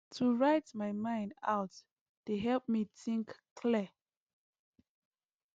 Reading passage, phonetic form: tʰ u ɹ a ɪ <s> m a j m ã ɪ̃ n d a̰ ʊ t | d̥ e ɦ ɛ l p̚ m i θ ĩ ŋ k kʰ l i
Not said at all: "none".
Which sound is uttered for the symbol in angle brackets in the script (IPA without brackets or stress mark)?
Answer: t